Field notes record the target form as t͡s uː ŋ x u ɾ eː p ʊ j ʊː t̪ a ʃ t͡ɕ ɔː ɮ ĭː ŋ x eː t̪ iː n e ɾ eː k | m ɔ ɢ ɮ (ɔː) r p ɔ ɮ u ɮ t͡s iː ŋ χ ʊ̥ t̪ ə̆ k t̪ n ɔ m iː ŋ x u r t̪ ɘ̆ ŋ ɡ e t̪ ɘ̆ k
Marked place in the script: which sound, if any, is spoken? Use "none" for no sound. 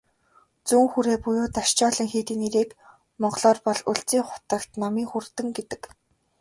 ɔː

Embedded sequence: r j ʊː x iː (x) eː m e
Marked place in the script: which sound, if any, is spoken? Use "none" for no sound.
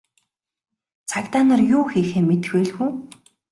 x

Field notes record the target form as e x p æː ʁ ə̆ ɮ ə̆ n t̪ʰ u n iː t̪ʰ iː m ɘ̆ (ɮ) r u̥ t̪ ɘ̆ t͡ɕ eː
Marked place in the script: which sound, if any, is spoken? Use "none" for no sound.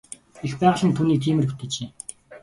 none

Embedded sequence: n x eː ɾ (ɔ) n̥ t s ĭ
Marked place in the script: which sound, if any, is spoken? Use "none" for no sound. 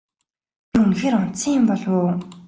ɔ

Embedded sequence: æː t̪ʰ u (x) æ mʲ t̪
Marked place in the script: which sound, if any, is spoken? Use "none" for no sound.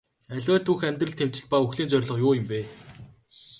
x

